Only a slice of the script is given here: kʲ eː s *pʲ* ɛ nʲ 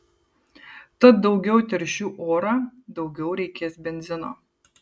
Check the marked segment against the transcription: incorrect: bʲ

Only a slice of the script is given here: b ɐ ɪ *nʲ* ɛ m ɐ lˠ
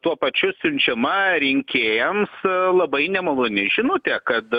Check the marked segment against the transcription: correct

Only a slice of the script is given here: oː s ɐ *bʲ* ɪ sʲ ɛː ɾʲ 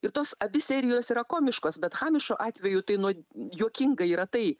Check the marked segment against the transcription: correct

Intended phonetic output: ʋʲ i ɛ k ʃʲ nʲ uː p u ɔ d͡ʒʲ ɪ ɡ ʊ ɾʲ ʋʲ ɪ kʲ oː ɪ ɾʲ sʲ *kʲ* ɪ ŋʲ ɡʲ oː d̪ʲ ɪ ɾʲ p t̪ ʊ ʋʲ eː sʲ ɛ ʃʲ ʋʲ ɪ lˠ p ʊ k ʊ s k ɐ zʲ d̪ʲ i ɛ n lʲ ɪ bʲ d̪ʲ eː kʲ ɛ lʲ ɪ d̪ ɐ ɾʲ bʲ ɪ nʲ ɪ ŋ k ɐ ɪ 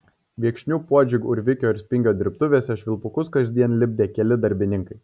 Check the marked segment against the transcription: incorrect: pʲ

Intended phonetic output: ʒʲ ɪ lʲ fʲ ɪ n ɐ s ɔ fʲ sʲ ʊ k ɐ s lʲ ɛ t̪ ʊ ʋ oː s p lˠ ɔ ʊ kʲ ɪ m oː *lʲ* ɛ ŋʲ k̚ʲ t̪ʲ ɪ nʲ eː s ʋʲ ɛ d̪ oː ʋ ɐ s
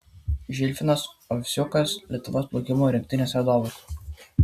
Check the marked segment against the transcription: incorrect: ɾʲ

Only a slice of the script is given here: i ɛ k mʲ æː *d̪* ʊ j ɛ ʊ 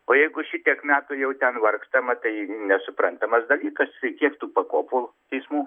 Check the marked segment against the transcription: incorrect: t̪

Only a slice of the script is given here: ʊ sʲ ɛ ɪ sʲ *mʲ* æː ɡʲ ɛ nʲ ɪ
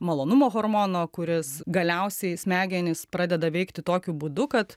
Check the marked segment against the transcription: correct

